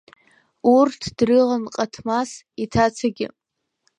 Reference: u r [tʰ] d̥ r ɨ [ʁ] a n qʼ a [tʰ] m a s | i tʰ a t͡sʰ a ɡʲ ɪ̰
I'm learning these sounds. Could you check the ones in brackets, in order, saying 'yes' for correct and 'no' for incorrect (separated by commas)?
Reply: yes, yes, yes